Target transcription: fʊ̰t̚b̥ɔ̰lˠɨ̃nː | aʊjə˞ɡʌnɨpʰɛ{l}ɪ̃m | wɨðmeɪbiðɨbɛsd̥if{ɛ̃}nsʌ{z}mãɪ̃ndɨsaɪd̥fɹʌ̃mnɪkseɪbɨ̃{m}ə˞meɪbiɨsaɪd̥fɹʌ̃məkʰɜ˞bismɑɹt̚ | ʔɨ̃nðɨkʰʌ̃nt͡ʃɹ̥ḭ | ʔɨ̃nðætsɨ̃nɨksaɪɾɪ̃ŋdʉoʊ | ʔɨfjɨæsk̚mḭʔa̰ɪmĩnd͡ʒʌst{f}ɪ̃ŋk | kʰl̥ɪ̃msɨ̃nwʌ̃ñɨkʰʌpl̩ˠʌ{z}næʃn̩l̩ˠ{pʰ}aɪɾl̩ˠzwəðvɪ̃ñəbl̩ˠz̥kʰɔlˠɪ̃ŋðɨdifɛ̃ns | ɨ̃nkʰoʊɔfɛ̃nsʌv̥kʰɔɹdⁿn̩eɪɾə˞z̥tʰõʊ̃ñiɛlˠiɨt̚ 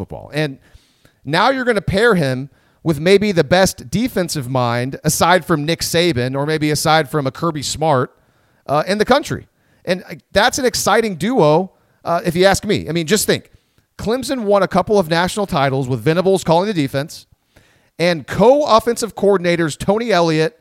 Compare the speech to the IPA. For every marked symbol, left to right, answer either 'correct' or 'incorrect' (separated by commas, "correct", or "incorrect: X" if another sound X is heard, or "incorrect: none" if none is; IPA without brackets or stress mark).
incorrect: ɹ, correct, incorrect: v, incorrect: n, incorrect: θ, incorrect: v, incorrect: tʰ